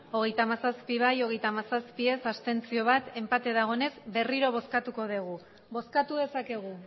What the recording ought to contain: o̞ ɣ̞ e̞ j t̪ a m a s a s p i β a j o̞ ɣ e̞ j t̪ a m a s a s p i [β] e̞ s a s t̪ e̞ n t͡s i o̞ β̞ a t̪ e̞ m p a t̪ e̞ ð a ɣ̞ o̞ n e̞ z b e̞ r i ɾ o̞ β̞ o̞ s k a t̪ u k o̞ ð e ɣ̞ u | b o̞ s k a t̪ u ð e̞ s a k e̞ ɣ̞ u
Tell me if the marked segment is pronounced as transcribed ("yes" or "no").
no